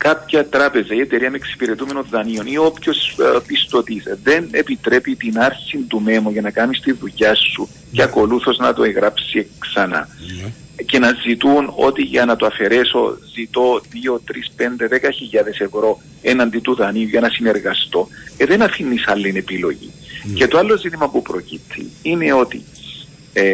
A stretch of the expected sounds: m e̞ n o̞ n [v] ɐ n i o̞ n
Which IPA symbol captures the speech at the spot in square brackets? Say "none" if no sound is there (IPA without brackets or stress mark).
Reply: ð